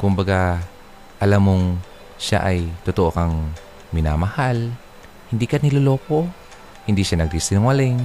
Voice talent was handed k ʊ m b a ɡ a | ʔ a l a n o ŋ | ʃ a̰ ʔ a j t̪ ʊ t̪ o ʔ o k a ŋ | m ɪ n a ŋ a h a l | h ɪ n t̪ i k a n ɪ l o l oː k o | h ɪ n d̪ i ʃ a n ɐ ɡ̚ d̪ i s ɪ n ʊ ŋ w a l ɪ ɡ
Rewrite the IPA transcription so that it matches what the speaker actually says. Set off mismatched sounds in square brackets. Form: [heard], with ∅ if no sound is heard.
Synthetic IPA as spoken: k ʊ m b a ɡ a | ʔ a l a [m] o ŋ | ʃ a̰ ʔ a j t̪ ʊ t̪ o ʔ o k a ŋ | m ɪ n a [m] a h a l | h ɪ n [d̪] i k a n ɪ l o l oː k o | h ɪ n d̪ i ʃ a n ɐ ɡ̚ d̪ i s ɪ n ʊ ŋ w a l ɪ [ŋ]